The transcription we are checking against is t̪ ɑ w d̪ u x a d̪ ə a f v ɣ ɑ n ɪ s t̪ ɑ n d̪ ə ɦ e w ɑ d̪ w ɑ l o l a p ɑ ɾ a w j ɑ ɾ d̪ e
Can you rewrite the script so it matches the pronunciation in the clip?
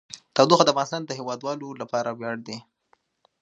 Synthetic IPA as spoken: t̪ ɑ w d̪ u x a d̪ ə a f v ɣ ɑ n ɪ s t̪ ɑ n d̪ ə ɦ e w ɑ d̪ w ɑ l o l a p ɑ ɾ a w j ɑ ɽ d̪ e